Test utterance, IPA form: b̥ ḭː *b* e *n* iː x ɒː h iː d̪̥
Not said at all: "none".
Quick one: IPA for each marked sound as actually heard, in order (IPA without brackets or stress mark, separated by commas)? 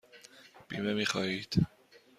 m, m